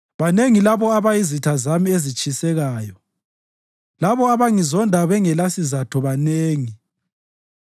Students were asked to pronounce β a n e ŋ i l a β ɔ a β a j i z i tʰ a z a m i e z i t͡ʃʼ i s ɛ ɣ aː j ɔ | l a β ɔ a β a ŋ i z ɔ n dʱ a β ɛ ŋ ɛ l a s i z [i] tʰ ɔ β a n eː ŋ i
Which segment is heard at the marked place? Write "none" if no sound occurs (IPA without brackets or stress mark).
a